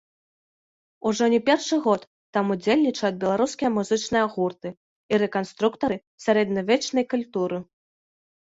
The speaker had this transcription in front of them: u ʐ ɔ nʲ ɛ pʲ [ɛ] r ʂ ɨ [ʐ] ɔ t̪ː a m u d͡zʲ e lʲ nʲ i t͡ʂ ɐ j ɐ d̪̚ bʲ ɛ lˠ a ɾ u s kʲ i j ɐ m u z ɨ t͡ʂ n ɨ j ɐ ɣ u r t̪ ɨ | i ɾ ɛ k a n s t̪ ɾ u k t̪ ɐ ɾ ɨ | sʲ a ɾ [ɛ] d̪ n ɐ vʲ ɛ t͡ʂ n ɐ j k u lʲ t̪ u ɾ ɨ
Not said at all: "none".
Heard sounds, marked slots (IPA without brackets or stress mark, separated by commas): ɛ, ɣ, ɛ